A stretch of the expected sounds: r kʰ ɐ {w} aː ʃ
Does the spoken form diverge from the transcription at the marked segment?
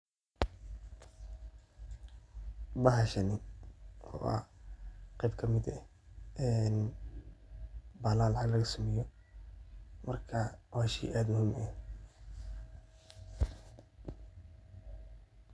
no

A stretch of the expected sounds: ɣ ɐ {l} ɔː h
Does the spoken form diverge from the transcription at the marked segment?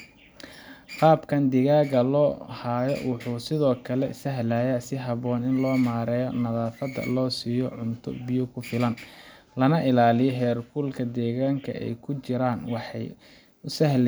no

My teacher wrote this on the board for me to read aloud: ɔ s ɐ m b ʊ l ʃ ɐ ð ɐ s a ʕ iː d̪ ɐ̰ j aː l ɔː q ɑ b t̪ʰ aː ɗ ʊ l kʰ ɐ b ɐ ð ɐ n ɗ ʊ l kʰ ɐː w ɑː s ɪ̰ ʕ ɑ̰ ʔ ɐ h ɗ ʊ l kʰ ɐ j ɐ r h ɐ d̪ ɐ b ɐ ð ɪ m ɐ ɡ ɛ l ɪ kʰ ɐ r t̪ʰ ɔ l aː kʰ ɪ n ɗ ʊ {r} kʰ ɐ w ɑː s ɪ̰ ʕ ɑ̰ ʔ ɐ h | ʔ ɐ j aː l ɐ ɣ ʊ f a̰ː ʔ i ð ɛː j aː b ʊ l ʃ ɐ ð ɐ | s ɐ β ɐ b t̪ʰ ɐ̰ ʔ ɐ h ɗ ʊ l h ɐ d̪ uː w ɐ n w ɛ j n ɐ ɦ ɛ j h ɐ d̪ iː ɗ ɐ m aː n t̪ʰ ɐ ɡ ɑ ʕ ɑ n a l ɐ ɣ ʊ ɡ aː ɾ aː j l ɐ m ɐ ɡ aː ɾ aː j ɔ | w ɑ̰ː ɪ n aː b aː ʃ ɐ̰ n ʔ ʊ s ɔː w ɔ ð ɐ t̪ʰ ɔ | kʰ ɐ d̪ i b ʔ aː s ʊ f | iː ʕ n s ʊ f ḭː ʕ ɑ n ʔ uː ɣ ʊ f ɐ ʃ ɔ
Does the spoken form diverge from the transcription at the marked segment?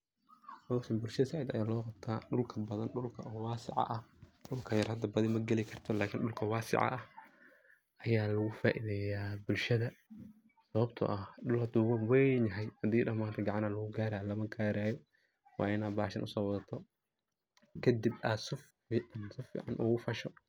yes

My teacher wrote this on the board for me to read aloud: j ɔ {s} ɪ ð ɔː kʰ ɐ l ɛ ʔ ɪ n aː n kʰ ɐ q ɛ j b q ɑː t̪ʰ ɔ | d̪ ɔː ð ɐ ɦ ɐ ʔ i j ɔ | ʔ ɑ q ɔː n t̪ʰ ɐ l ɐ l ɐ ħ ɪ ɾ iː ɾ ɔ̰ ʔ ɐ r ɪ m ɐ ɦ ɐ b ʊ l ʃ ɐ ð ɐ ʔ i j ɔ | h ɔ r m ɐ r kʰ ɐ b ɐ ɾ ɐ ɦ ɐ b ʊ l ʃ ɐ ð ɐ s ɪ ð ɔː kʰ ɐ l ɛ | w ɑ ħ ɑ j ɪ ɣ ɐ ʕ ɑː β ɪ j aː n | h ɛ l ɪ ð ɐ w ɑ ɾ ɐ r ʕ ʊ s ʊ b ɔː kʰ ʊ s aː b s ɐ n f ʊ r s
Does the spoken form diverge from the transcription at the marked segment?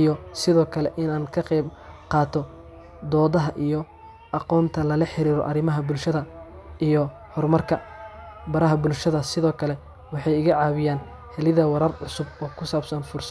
no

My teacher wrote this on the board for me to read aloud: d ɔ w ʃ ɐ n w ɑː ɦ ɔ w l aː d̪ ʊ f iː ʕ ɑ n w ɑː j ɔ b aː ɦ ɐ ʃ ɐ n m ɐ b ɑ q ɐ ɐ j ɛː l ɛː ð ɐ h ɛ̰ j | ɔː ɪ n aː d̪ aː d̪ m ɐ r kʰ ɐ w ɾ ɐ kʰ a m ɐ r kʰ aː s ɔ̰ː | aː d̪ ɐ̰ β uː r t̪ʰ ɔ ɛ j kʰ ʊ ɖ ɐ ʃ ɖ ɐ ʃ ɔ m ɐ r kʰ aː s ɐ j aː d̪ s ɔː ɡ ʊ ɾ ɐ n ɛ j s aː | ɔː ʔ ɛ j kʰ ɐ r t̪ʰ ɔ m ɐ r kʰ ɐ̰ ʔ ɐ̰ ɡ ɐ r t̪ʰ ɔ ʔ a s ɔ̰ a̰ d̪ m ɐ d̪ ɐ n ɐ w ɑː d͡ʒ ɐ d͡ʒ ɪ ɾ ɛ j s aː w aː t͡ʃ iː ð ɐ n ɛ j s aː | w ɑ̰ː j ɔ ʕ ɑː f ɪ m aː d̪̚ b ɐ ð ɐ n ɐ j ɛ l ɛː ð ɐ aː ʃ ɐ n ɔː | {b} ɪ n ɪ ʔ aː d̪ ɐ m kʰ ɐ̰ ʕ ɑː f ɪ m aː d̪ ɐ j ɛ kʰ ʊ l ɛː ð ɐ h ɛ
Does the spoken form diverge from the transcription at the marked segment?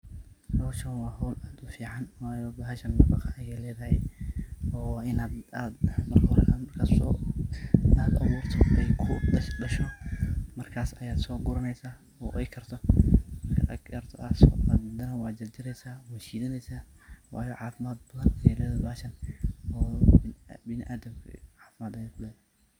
no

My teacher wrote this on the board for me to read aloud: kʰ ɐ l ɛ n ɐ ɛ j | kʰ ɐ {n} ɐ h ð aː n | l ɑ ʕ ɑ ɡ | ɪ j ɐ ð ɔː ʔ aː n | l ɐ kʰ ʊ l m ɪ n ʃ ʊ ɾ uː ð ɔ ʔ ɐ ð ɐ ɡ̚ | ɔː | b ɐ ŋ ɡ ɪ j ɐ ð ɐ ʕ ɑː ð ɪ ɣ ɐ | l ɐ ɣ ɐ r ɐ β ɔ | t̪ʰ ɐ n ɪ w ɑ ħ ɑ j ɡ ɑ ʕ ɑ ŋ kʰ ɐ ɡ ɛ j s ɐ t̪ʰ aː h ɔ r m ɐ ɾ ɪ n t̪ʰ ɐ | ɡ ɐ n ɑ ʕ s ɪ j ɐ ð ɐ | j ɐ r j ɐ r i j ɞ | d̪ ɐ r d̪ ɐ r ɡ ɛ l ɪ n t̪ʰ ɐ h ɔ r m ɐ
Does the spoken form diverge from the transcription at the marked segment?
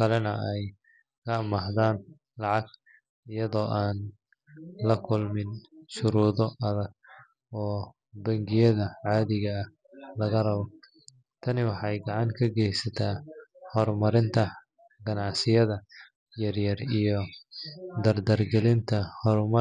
yes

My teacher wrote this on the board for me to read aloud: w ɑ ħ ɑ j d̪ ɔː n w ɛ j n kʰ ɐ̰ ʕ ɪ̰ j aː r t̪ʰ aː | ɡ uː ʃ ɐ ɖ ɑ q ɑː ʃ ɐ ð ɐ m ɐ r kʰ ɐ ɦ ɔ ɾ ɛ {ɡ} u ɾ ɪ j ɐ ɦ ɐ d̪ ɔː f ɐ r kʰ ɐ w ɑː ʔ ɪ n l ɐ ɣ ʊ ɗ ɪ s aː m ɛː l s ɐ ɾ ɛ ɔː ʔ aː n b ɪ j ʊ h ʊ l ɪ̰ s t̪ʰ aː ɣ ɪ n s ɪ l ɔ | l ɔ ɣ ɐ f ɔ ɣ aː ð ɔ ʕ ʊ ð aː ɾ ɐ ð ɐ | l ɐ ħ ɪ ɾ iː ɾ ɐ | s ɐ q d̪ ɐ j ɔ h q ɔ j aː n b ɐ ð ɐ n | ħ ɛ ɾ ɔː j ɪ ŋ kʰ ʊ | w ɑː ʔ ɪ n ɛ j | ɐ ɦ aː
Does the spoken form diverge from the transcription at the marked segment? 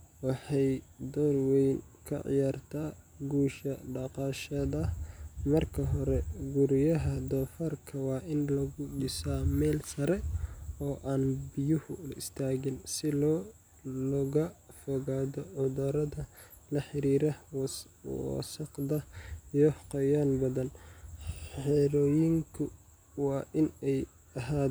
no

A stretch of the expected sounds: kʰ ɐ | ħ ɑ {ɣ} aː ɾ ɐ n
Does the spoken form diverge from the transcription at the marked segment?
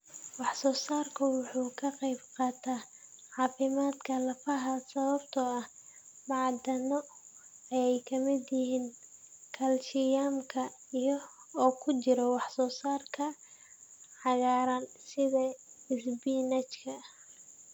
no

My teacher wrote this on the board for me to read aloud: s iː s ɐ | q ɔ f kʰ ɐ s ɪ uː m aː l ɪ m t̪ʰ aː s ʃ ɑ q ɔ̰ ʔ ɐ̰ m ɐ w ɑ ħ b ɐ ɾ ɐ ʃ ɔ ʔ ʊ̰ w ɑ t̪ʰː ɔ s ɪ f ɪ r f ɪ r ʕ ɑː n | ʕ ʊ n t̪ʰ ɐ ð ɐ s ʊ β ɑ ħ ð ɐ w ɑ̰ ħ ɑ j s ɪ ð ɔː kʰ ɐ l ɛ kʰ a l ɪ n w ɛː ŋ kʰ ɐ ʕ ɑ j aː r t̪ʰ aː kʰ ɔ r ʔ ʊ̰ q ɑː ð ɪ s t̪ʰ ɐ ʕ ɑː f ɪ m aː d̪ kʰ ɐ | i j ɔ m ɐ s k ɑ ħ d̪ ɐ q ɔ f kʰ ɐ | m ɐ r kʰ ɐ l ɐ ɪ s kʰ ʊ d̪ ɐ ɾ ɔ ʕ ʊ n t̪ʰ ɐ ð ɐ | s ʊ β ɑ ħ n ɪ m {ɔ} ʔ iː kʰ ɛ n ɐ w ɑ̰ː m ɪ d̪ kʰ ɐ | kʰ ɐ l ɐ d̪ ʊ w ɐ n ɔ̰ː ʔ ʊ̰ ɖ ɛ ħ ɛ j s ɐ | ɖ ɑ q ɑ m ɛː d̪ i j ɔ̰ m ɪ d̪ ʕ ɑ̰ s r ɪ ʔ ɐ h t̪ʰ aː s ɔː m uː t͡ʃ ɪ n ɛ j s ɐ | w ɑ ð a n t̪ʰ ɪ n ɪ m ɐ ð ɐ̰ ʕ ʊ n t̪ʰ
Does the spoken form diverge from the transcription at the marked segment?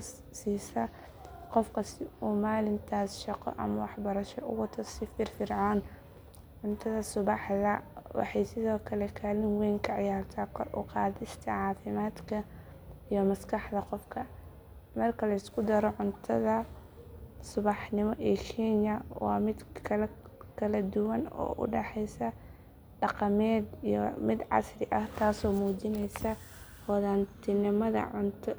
no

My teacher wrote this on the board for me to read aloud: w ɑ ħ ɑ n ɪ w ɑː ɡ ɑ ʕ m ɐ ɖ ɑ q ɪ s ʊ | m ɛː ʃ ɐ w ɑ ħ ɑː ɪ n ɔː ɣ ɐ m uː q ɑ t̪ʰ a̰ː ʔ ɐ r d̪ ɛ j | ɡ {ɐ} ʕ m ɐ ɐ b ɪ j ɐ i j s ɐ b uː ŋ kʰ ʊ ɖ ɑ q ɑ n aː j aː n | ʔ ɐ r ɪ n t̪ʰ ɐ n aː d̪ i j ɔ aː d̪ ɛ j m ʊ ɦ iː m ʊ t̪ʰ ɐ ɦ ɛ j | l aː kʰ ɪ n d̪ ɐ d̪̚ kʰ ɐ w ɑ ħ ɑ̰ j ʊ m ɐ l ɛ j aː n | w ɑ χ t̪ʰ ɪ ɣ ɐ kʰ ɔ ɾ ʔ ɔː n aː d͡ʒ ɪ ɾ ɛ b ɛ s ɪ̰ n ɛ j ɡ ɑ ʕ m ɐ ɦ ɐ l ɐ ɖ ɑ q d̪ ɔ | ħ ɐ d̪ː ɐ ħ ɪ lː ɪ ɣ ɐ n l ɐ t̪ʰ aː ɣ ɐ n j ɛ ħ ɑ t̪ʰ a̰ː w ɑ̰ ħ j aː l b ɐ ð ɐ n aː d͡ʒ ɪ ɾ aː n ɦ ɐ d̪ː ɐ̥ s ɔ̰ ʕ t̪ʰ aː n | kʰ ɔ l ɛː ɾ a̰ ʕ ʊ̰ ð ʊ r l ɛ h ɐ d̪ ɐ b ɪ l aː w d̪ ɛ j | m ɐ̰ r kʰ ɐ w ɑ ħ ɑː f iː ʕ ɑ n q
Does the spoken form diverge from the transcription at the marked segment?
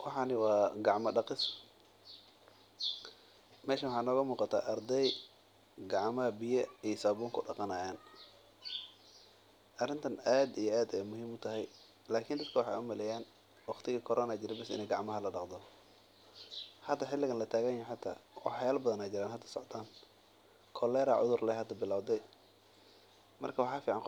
yes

